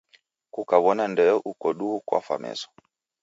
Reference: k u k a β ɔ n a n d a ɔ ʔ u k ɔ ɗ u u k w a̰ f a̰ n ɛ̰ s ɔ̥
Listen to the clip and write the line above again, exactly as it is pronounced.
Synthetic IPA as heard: k u k a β ɔ n a n d ɛ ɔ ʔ u k ɔ ɗ u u k w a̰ f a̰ m ɛ̰ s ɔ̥